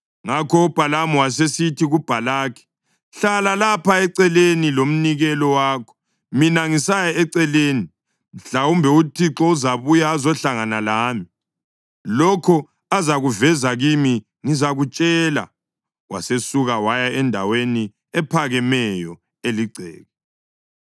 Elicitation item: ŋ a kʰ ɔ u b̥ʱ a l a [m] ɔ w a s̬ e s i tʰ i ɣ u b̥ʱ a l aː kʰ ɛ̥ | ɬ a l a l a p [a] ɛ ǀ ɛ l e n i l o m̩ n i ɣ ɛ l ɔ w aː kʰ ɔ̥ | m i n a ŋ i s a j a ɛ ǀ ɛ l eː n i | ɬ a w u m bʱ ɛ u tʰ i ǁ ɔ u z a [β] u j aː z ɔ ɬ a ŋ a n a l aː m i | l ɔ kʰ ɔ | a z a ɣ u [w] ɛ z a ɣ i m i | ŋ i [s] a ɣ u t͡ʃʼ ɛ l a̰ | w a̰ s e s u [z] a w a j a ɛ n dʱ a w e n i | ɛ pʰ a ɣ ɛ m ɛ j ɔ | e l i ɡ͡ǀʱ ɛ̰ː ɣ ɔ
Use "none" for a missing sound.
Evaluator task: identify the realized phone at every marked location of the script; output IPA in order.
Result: m, a, β, v, z, ɣ

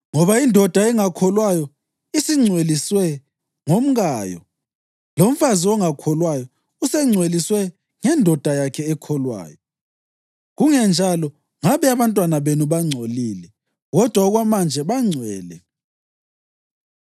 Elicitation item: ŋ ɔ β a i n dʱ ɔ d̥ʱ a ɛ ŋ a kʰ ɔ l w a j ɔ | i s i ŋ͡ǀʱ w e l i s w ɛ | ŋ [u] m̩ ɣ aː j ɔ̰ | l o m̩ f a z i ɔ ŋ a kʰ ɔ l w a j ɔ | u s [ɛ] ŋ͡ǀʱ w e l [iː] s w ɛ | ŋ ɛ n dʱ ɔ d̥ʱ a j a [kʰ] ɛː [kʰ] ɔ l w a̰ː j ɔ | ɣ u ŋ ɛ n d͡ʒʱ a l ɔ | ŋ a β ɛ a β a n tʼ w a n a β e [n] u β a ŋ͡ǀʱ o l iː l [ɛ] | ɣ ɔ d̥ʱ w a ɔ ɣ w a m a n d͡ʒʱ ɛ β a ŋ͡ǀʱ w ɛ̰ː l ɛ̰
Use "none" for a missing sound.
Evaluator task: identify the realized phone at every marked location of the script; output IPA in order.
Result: o, ɛ, i, kʰ, kʰ, n, ɛ

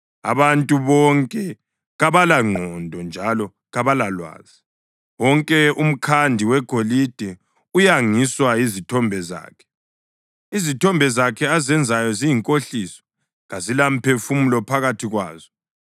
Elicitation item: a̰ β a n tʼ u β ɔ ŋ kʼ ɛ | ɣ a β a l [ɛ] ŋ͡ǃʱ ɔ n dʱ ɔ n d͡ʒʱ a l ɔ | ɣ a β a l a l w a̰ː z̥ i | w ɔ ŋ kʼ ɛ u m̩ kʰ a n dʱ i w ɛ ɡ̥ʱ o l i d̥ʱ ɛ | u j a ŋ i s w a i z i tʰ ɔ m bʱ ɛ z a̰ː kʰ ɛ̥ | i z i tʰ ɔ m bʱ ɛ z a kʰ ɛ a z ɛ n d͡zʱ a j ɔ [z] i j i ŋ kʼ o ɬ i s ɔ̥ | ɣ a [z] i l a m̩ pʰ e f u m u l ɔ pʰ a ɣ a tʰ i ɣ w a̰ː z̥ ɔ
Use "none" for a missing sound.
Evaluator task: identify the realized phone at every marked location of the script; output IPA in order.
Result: a, z, z

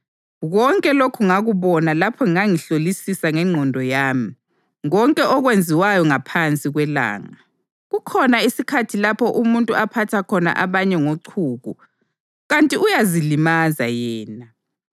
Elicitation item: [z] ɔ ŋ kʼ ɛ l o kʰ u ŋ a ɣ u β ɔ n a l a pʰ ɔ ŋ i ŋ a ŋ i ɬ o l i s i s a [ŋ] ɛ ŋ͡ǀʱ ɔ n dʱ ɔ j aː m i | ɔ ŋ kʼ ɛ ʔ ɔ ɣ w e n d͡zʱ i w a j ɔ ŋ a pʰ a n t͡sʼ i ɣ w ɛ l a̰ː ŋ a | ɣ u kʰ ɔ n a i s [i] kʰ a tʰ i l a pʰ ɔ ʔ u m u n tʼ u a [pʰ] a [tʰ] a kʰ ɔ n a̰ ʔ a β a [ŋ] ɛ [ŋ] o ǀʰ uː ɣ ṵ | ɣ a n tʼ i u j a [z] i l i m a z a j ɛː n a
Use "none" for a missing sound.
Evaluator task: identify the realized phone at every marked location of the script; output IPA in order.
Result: ɣ, ŋ, i, pʰ, tʰ, ɲ, ŋ, z

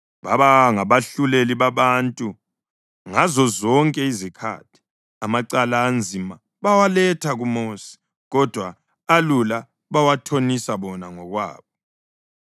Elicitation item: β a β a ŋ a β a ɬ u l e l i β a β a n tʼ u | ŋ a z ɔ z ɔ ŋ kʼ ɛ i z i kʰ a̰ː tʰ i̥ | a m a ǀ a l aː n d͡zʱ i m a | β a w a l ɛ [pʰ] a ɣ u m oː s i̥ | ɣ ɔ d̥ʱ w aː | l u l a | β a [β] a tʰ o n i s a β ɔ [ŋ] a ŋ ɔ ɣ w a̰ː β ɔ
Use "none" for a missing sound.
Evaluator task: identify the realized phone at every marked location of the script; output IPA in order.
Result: tʰ, w, n

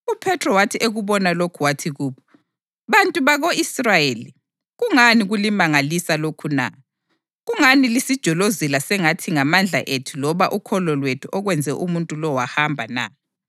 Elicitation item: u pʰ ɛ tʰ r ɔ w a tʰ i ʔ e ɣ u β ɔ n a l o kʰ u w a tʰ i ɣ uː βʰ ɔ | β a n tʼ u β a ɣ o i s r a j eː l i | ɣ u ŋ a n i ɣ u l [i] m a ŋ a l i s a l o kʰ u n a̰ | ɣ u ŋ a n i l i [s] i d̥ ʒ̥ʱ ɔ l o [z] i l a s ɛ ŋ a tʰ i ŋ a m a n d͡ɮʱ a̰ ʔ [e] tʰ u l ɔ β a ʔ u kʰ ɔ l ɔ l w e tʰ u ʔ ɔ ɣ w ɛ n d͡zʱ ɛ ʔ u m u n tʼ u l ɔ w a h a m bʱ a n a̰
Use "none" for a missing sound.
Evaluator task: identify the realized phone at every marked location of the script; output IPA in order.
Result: i, s, z, e

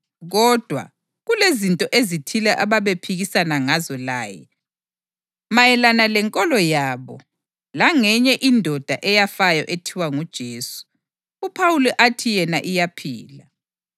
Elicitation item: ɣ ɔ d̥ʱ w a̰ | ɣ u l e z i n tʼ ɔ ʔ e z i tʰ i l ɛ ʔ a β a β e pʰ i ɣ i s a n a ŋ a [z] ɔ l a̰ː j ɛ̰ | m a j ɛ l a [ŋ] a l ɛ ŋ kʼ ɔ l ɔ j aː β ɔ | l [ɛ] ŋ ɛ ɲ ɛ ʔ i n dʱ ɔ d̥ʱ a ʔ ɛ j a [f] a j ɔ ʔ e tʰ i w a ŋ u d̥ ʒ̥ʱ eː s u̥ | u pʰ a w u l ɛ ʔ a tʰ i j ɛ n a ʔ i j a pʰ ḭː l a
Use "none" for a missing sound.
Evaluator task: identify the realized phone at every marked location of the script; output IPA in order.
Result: z, n, a, f

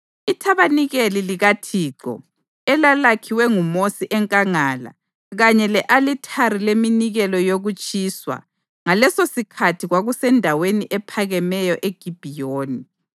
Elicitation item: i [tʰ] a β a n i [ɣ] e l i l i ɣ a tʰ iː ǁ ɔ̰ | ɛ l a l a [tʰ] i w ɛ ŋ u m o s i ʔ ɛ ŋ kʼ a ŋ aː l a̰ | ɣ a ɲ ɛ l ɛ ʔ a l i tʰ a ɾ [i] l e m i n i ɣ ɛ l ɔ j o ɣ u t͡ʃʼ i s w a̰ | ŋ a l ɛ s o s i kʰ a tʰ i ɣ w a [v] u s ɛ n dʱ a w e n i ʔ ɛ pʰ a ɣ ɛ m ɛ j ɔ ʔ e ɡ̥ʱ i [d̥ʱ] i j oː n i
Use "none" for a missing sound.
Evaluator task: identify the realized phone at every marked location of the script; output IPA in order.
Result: tʰ, ɣ, kʰ, i, ɣ, b̥ʱ

